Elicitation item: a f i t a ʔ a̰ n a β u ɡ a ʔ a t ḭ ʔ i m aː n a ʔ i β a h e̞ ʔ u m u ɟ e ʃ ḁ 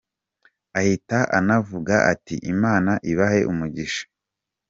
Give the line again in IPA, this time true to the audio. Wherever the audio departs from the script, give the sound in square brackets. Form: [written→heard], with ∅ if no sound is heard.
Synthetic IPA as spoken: a [f→h] i t a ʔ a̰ n a [β→v] u ɡ a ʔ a t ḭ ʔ i m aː n a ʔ i β a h e̞ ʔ u m u ɟ [e→i] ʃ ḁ